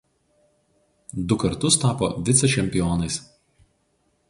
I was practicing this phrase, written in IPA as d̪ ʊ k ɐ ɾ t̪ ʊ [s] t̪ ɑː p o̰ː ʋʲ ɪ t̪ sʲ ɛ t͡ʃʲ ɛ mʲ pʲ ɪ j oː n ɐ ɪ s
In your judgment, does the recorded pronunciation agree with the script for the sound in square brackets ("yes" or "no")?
yes